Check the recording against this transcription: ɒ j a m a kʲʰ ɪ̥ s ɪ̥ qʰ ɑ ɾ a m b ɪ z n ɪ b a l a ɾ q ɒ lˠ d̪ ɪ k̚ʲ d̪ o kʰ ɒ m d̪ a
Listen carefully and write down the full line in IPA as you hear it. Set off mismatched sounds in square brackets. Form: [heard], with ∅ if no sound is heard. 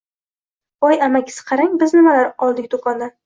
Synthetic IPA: ɒ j a m a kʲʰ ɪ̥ s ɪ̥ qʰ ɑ ɾ a [ŋ] b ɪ z n ɪ [m] a l a ɾ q ɒ lˠ d̪ ɪ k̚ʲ d̪ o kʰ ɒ [n] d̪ a